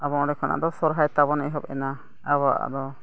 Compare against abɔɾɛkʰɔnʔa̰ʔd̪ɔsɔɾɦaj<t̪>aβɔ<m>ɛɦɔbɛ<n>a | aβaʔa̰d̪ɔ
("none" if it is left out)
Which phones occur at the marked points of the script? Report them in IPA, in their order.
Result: t̪, n, n

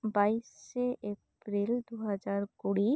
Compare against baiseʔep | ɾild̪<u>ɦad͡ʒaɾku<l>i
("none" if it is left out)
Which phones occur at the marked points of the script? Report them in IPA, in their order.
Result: u, ɽ

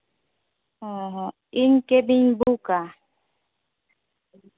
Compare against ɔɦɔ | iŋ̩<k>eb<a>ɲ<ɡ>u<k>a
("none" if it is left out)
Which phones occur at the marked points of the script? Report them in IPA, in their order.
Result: k, i, b, k

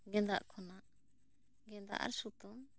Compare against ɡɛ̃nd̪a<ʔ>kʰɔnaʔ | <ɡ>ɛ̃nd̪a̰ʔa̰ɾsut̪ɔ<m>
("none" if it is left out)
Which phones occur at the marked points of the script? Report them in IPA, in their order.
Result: ʔ, ɡ, m

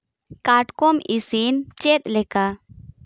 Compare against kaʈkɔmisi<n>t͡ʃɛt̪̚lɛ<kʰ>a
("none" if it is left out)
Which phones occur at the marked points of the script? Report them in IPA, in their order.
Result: n, k

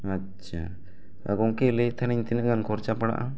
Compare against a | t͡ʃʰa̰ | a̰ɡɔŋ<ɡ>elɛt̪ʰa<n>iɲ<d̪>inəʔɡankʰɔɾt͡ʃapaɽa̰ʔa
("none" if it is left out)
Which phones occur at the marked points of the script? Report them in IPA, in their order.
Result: k, n, t̪

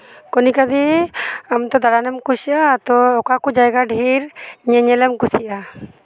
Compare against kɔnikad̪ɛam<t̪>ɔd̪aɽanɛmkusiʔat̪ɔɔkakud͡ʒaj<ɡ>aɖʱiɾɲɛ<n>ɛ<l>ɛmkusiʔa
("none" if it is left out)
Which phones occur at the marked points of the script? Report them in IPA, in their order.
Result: t̪, ɡ, ɲ, l

